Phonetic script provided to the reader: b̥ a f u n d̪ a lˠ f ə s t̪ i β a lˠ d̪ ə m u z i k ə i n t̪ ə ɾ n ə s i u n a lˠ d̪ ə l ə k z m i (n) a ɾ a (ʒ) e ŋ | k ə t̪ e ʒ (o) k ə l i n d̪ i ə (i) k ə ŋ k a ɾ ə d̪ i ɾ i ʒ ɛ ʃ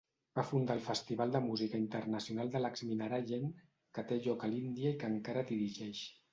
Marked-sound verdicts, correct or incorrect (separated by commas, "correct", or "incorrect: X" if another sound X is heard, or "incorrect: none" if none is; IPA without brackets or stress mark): correct, correct, incorrect: ɔ, correct